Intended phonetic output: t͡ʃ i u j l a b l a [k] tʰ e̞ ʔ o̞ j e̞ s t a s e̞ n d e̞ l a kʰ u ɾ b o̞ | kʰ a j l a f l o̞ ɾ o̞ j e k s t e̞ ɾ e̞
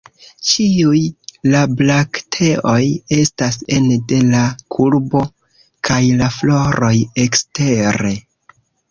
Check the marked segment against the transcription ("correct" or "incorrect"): correct